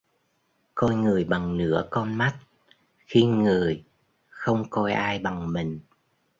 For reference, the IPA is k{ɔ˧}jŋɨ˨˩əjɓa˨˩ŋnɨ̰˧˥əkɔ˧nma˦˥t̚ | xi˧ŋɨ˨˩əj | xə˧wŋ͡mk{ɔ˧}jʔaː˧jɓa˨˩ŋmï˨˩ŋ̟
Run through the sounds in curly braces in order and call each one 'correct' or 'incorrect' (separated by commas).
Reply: correct, correct